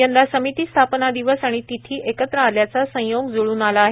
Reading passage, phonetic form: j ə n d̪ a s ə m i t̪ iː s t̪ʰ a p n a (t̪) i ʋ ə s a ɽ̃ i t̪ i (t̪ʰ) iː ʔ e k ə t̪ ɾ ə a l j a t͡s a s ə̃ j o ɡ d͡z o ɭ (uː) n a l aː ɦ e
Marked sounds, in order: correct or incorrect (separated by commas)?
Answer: incorrect, correct, correct